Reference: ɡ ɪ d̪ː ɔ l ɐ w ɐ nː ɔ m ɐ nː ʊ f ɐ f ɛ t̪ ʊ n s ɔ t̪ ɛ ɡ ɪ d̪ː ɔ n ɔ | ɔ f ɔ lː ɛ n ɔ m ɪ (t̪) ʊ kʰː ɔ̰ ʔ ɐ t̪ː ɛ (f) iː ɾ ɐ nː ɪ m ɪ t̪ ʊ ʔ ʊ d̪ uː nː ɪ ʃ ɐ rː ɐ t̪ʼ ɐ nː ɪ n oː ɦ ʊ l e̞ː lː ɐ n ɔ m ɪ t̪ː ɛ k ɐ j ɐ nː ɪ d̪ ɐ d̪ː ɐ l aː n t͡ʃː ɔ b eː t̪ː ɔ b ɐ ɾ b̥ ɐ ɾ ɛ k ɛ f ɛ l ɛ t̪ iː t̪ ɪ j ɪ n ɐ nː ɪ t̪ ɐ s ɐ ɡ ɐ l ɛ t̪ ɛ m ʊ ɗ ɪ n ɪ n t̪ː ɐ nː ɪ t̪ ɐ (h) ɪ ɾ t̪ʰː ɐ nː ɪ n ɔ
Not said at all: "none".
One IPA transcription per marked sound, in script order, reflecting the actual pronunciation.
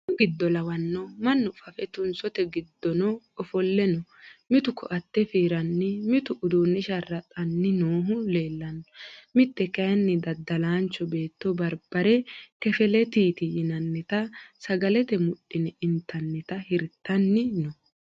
t̪, f, h

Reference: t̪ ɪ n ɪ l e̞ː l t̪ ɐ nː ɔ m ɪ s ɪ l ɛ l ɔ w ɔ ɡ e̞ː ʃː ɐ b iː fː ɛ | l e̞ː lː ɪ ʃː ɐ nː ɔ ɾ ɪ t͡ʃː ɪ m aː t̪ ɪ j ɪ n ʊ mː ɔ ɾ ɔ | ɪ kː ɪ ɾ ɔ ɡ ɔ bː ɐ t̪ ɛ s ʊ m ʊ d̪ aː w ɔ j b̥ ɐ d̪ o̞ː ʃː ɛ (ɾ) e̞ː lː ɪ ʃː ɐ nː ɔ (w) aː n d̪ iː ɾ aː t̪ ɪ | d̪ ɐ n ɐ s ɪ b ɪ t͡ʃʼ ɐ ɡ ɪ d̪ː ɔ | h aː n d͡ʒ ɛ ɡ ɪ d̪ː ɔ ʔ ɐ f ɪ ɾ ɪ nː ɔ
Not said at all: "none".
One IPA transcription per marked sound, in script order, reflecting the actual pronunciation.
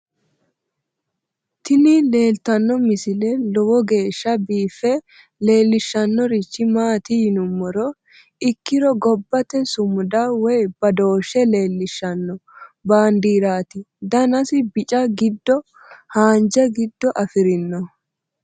l, b

